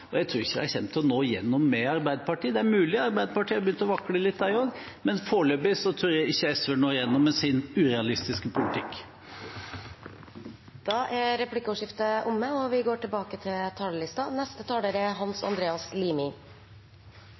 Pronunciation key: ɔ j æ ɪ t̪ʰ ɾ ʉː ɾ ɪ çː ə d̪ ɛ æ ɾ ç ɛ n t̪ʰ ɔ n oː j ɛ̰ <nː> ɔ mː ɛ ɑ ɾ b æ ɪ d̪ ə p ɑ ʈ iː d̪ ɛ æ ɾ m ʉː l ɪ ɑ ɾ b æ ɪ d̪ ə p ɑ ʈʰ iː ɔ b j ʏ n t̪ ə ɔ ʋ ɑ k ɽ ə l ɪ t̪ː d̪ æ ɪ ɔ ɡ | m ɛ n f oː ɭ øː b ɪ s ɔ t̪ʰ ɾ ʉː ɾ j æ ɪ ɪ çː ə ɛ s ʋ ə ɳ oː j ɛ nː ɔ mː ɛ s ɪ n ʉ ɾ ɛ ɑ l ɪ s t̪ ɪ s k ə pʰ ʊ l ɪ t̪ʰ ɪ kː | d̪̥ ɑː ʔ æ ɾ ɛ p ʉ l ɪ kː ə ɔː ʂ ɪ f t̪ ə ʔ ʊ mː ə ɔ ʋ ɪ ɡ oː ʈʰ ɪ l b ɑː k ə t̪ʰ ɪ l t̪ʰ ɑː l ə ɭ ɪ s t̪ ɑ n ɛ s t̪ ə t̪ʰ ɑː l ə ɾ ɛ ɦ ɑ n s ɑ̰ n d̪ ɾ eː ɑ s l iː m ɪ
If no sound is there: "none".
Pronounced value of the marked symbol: nː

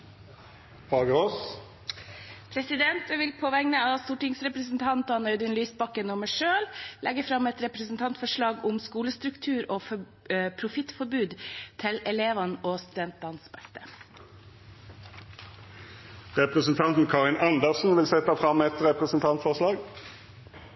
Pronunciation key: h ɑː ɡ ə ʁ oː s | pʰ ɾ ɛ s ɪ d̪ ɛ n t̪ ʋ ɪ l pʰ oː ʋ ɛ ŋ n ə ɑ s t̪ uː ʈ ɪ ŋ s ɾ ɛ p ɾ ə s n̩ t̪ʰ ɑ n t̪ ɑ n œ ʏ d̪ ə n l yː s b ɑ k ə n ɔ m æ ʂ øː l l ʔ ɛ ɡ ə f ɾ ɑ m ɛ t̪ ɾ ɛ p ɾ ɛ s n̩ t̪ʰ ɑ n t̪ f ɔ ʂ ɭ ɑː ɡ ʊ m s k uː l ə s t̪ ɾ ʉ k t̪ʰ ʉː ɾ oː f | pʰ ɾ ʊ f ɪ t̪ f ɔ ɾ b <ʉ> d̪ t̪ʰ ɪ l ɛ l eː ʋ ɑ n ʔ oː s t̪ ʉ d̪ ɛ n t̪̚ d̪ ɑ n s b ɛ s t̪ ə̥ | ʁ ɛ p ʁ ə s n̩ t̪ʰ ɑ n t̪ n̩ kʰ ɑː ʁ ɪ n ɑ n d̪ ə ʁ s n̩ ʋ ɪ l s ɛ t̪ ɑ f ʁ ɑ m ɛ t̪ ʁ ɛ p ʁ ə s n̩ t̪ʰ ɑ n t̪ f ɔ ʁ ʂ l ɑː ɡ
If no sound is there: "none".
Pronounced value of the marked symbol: ʉː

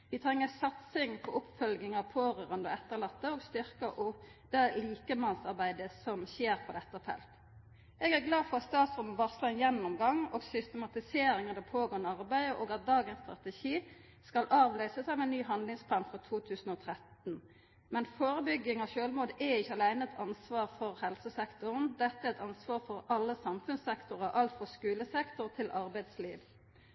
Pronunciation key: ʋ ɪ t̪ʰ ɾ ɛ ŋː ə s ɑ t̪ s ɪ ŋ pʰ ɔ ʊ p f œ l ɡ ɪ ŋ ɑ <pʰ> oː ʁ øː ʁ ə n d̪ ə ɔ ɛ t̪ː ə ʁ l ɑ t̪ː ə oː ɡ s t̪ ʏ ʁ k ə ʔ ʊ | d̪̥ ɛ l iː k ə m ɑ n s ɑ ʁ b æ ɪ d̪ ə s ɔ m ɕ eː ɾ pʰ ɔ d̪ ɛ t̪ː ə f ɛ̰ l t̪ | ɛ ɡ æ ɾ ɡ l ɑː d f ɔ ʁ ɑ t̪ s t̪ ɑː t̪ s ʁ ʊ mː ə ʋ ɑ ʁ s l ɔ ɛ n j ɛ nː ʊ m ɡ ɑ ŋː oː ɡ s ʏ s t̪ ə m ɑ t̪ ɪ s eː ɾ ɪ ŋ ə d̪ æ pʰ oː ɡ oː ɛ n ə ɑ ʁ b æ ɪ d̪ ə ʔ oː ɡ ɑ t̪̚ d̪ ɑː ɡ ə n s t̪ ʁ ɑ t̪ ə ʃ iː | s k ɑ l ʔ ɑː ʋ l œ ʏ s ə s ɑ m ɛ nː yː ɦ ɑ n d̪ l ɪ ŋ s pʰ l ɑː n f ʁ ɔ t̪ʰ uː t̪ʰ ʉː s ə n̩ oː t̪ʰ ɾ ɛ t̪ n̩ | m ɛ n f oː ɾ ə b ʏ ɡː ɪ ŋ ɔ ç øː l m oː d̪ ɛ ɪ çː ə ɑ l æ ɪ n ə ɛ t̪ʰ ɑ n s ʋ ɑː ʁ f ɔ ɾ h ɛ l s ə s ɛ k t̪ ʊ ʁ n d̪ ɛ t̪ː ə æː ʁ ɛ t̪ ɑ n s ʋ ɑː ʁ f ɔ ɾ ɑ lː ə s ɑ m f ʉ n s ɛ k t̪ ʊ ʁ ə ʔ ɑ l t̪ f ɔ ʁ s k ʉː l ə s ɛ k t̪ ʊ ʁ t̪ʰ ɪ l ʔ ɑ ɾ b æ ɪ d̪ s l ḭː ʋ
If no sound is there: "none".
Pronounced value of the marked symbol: pʰ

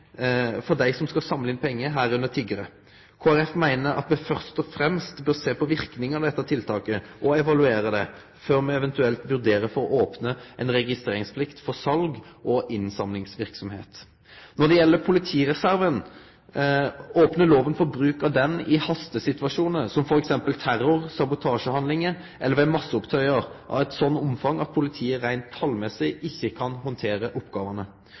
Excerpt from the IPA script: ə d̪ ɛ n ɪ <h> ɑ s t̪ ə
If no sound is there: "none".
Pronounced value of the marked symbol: h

